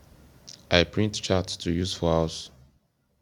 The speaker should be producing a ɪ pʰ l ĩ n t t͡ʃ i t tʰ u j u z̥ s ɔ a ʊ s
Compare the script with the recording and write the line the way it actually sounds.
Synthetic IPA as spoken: a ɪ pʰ ɹ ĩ n t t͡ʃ a t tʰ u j u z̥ f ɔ a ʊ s